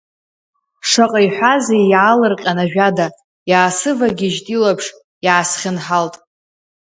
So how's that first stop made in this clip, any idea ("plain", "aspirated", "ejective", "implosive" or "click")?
ejective